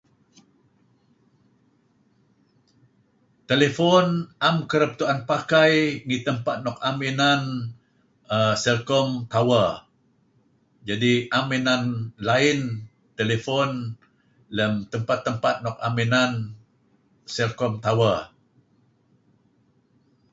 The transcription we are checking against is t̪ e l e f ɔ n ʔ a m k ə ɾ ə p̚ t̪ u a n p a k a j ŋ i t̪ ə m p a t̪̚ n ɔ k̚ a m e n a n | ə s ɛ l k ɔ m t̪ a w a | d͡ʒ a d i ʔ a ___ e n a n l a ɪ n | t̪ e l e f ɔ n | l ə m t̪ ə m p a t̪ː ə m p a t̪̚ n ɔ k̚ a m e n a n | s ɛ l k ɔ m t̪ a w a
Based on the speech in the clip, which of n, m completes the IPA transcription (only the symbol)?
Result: m